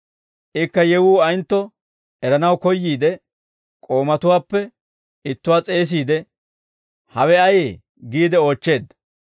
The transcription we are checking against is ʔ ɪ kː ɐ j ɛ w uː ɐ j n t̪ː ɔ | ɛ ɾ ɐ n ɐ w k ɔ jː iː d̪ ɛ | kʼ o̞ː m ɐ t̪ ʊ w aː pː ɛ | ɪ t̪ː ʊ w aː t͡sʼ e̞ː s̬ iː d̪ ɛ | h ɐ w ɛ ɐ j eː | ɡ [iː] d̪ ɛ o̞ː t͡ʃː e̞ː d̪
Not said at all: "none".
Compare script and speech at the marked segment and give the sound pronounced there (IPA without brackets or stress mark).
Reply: iː